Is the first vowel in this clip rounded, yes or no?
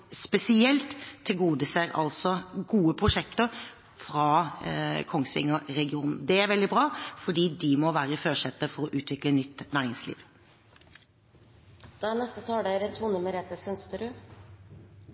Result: no